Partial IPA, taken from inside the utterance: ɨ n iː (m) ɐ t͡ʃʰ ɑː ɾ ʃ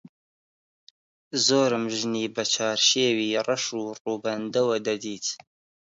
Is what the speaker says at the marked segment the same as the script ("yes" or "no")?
no